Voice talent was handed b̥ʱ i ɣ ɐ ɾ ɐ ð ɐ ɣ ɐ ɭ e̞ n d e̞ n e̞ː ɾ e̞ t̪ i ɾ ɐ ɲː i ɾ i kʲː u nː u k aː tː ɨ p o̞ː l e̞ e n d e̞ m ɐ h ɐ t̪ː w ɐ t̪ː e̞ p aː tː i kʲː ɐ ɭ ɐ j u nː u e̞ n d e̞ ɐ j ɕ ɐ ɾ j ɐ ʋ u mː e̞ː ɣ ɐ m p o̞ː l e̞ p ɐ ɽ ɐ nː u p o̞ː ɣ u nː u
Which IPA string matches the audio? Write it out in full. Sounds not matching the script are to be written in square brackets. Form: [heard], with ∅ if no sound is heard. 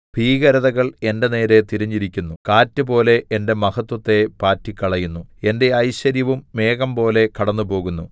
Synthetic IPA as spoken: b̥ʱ [iː] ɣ ɐ ɾ ɐ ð ɐ ɣ ɐ ɭ e̞ n d e̞ n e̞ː ɾ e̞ t̪ i ɾ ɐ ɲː i ɾ i kʲː u nː u k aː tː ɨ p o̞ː l e̞ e n d e̞ m ɐ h ɐ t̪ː w ɐ t̪ː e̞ p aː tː i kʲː ɐ ɭ ɐ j u nː u e̞ n d e̞ ɐ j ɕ ɐ ɾ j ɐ ʋ u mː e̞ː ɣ ɐ m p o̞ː l e̞ [k] ɐ ɽ ɐ nː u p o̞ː ɣ u nː u